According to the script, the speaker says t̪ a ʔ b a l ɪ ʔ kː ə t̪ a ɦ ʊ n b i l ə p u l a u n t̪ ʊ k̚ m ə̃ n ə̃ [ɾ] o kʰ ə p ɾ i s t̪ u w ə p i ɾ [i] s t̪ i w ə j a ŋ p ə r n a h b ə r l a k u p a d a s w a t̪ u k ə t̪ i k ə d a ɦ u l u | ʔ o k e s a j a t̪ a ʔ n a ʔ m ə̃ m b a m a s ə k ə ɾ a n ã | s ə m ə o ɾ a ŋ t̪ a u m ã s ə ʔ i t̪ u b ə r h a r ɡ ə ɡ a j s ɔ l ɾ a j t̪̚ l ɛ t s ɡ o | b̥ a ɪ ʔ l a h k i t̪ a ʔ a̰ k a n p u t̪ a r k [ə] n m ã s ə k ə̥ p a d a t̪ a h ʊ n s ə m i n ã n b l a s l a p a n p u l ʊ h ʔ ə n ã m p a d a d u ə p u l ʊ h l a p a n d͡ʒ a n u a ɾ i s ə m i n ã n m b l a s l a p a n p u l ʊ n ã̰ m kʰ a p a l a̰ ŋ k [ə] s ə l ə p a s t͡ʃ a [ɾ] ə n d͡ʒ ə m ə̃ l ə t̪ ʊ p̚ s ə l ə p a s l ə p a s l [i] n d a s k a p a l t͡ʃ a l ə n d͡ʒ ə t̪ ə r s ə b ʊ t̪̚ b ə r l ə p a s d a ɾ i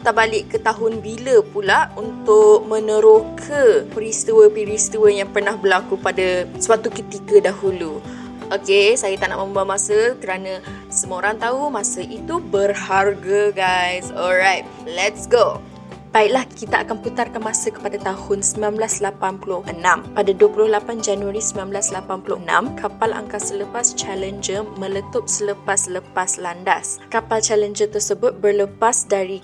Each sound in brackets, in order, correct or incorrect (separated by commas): correct, correct, incorrect, incorrect, incorrect, incorrect